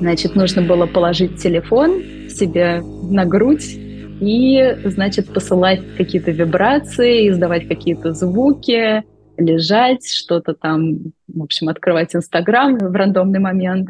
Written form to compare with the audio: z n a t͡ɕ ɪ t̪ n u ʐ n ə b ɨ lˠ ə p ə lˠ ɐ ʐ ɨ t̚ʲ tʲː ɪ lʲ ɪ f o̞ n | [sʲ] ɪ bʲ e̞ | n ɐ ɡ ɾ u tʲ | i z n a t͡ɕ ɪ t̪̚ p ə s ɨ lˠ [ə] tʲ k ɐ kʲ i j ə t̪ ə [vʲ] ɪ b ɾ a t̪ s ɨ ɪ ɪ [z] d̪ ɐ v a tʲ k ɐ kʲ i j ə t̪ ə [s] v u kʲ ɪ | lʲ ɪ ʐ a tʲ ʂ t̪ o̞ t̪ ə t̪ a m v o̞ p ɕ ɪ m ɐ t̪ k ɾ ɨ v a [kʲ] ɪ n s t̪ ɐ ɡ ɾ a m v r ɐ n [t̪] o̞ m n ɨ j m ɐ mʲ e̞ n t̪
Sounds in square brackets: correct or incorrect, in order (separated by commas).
correct, incorrect, correct, correct, incorrect, incorrect, incorrect